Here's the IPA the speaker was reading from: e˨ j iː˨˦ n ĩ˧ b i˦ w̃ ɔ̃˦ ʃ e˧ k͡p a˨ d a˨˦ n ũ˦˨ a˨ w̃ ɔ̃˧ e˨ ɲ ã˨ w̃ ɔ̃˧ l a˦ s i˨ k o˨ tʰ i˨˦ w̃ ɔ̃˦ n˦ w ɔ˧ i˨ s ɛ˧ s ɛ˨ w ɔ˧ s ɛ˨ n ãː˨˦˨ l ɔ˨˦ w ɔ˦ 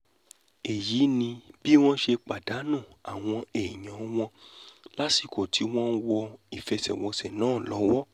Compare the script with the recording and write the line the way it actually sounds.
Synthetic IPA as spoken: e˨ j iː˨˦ n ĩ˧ b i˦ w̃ ɔ̃˦ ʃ e˧ k͡p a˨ d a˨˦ n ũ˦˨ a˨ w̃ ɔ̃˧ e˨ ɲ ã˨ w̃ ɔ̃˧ l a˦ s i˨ k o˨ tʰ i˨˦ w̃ ɔ̃˦ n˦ w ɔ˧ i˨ f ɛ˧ s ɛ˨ w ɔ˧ s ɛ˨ n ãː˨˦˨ l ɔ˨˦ w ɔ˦

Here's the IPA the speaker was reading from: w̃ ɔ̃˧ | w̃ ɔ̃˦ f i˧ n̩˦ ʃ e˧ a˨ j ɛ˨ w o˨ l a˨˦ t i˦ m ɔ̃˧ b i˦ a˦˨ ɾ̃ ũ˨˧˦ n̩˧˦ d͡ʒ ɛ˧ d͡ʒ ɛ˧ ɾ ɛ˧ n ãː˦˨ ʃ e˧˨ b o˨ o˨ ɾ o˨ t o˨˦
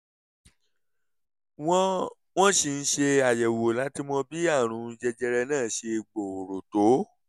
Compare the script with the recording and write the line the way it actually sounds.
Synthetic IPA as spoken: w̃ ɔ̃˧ | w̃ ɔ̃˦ ʃ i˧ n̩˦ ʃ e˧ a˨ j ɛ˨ w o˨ l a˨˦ t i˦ m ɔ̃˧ b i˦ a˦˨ ɾ̃ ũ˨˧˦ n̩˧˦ d͡ʒ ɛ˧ d͡ʒ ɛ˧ ɾ ɛ˧ n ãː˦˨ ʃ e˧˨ ɡ͡b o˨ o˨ ɾ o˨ t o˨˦

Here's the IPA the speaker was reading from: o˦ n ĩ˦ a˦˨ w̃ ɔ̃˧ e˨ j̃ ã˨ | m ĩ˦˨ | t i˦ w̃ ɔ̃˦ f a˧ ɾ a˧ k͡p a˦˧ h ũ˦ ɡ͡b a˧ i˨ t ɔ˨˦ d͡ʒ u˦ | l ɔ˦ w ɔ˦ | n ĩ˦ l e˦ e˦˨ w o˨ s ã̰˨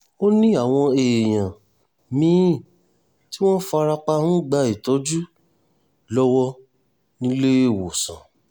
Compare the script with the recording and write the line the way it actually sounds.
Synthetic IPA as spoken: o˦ n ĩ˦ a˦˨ w̃ ɔ̃˧ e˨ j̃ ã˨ | m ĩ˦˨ | t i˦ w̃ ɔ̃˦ f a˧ ɾ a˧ k͡p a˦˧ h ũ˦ ɡ͡b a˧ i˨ t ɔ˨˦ d͡ʒ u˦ | l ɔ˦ w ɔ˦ | n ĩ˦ l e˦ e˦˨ w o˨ s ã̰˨

